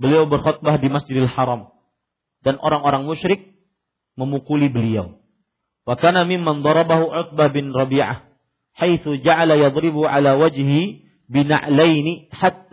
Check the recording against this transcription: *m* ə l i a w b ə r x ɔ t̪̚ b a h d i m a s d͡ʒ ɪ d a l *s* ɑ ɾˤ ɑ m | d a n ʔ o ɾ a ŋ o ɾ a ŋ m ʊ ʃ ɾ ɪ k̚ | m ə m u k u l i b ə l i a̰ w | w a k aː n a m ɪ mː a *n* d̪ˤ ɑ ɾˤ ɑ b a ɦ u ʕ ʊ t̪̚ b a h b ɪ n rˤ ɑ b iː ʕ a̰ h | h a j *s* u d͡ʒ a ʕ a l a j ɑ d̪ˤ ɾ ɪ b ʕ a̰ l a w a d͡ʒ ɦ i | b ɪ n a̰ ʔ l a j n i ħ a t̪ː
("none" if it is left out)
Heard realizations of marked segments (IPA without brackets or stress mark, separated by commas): b, ħ, n, θ